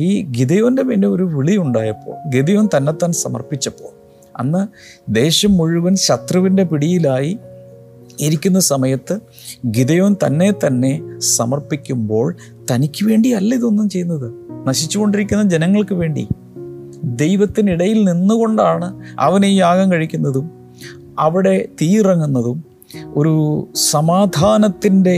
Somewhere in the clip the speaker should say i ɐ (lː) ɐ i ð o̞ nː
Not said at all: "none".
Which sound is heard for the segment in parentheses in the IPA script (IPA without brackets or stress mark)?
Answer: lː